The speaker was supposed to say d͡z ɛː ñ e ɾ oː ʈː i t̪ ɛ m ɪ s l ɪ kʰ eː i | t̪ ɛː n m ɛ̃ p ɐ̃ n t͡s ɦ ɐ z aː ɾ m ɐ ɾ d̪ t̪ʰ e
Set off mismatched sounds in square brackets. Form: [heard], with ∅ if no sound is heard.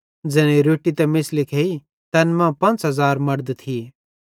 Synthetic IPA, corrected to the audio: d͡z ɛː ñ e ɾ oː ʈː i t̪ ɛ m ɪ s l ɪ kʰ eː i | t̪ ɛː n m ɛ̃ p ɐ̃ n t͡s ɦ ɐ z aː ɾ m ɐ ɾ d̪ t̪ʰ [i]

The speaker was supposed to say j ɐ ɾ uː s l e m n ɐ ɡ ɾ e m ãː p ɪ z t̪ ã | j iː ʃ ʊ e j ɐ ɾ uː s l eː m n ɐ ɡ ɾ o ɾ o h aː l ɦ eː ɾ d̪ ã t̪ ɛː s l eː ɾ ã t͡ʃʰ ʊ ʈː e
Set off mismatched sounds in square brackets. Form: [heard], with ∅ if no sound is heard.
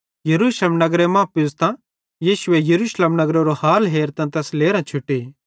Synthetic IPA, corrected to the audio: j ɐ ɾ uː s l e m n ɐ ɡ ɾ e m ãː p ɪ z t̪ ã | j iː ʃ ʊ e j ɐ ɾ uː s l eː m n ɐ ɡ ɾ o ɾ o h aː l ɦ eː ɾ [t̪] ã t̪ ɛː s l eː ɾ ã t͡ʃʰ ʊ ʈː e

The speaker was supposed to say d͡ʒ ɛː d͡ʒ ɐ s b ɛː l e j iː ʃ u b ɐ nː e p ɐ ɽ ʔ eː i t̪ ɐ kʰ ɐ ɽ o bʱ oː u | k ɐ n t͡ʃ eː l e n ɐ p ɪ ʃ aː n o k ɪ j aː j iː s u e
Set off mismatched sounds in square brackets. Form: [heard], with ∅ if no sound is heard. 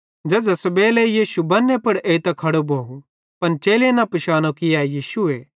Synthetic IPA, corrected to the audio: d͡ʒ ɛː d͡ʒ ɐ s b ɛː l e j iː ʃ u b ɐ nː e p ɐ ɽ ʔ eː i t̪ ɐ kʰ ɐ ɽ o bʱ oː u | [p] ɐ n t͡ʃ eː l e n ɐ p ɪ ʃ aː n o k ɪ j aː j iː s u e

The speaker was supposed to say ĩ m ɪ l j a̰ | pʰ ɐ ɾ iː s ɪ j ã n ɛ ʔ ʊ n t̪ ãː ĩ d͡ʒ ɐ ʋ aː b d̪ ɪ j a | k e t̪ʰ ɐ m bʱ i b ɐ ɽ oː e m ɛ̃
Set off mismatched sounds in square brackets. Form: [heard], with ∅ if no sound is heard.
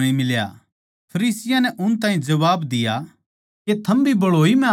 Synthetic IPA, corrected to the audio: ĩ m ɪ l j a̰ | pʰ ɐ ɾ iː s ɪ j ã n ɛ ʔ ʊ n t̪ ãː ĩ d͡ʒ ɐ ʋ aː b d̪ ɪ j a | k e t̪ʰ ɐ m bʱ i b ɐ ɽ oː [i] m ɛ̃

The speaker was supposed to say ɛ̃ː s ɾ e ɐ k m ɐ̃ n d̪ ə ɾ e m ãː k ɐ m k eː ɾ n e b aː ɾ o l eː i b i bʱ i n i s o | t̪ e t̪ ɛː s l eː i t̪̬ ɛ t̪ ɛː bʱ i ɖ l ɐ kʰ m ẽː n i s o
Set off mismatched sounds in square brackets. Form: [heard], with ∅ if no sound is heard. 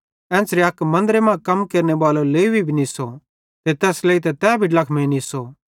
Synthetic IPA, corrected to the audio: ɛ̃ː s ɾ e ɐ k m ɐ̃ n d̪ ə ɾ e m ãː k ɐ m k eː ɾ n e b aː [l] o l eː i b i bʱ i n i s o | t̪ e t̪ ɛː s l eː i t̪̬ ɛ t̪ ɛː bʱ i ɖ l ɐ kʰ m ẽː n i s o

